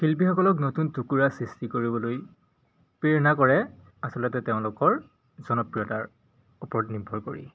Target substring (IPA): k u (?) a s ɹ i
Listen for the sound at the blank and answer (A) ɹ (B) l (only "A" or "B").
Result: A